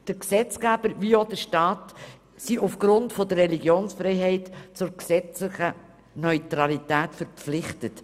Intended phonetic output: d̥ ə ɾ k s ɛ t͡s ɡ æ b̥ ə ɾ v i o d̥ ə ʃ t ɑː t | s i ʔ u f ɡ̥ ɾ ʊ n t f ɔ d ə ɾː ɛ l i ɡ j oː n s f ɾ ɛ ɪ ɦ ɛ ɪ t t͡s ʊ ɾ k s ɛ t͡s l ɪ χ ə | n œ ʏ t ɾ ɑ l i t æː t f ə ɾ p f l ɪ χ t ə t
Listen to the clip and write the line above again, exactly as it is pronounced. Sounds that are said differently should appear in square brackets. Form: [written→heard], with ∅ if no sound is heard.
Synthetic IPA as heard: d̥ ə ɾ k s ɛ t͡s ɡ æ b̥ ə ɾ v i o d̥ ə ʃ t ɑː t | s i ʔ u f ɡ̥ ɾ ʊ n t f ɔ d ə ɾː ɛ l i ɡ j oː n s f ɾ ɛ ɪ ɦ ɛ ɪ t t͡s ʊ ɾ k s ɛ t͡s l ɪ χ ə | n œ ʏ t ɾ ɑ l i t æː t f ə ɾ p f l ɪ χ t ə t

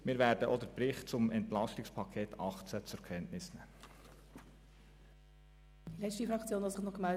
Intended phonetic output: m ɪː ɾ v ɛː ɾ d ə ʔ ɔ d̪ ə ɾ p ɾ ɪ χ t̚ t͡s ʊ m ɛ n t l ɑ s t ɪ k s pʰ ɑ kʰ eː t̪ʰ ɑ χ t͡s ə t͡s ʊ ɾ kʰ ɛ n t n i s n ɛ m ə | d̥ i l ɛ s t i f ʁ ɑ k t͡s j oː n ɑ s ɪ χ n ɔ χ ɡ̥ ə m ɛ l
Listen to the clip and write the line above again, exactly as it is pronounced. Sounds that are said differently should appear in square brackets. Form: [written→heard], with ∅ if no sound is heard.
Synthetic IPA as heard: m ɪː ɾ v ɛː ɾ d ə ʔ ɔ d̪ ə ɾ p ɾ ɪ χ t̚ t͡s ʊ m ɛ n t l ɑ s t ɪ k s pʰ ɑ kʰ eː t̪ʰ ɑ χ t͡s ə t͡s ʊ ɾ kʰ ɛ n t n [i→ɪ] s n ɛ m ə | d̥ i l ɛ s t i f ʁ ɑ k t͡s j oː n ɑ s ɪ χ n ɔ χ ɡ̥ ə m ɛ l

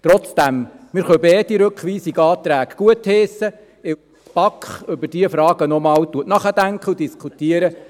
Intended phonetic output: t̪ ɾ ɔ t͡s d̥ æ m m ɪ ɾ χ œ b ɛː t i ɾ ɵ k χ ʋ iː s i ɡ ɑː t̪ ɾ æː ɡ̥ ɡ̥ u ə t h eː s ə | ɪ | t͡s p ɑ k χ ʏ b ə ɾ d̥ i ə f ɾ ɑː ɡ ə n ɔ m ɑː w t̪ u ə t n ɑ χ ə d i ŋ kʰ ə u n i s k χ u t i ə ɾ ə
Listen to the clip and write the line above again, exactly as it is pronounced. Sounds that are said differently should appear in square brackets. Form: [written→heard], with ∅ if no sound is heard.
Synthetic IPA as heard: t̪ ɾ ɔ t͡s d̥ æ m m ɪ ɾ χ œ b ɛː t i ɾ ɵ k χ ʋ iː s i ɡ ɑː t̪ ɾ æː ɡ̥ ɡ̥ u ə t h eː s ə | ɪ | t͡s p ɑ k χ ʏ b ə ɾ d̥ i ə f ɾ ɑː ɡ ə n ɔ m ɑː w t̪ u ə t n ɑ χ ə d [i→æ] ŋ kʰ ə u [n→d] i s k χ u t i ə ɾ ə

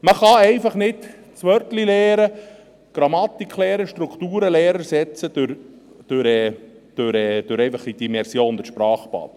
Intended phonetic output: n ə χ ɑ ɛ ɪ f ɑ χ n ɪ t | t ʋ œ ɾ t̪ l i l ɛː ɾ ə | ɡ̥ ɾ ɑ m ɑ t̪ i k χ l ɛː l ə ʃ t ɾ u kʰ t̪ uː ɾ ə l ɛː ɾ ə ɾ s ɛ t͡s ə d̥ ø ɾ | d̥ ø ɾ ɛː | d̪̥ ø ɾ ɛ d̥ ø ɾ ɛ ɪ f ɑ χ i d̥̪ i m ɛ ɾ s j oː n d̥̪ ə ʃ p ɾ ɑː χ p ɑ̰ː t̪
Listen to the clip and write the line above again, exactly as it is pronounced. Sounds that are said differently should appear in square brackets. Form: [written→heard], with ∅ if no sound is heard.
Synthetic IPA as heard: [n→m] ə χ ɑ ɛ ɪ f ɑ χ n ɪ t | [t→t͡s] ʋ œ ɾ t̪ l i l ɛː ɾ ə | ɡ̥ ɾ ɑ m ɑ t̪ i k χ l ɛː [l→ɾ] ə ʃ t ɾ u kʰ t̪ uː ɾ ə l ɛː ɾ ə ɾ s ɛ t͡s ə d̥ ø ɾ | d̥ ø ɾ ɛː | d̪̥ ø ɾ ɛ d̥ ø ɾ ɛ ɪ f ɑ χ i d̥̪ i m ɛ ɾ s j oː n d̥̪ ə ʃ p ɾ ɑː χ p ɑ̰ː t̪

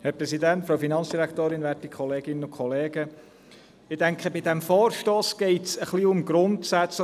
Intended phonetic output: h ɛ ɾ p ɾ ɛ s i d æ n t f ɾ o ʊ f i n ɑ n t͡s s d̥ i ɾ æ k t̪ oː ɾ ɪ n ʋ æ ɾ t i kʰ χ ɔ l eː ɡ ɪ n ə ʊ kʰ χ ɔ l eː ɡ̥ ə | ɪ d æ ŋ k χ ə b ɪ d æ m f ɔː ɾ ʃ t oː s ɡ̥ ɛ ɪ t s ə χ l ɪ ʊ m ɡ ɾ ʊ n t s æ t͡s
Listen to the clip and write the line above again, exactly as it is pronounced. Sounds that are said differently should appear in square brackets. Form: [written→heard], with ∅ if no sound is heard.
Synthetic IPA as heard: h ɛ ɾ p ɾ ɛ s i d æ n t f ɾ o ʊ f i n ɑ n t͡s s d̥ i ɾ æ k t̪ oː ɾ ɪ n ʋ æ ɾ t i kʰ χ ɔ l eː ɡ ɪ n ə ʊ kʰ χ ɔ l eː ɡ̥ ə | ɪ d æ ŋ k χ ə b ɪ d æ m f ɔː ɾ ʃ t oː s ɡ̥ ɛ ɪ t s ə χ l [ɪ→i] ʊ m ɡ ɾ ʊ n t s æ t͡s

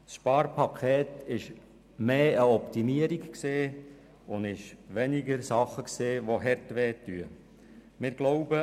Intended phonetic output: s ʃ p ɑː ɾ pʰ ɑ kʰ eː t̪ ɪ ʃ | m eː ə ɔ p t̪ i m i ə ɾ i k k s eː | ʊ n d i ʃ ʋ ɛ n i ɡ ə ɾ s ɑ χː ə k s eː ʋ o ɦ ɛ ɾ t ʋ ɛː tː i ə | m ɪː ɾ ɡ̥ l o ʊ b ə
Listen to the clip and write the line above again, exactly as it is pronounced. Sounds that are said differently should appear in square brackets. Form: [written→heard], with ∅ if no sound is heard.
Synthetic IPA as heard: s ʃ p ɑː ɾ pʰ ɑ kʰ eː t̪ ɪ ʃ | m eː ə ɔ p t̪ i m i ə ɾ i k k s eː | ʊ n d [i→ɪ] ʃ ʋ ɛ n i ɡ ə ɾ s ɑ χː ə k s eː ʋ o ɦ ɛ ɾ t ʋ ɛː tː [i→y] ə | m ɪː ɾ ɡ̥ l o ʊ b ə

